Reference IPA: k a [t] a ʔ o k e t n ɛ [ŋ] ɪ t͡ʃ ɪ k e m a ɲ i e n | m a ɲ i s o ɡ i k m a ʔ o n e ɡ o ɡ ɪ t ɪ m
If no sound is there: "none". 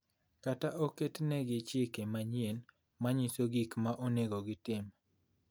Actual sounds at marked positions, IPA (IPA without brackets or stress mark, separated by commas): t, ɡ